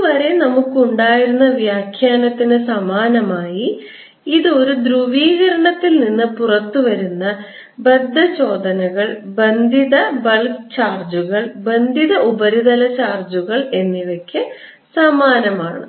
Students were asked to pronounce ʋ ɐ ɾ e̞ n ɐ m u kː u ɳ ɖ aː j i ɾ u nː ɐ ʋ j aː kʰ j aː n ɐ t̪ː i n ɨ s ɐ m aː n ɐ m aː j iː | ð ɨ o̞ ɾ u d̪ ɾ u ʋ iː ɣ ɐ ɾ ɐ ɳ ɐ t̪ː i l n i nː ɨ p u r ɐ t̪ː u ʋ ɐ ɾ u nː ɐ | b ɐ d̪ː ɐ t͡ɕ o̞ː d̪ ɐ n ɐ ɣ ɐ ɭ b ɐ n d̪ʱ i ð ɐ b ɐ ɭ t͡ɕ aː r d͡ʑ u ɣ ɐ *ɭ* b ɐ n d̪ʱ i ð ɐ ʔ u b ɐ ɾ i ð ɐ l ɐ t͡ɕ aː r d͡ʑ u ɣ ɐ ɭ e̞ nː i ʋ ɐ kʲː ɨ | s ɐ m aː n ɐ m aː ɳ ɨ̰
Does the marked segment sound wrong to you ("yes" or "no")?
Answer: no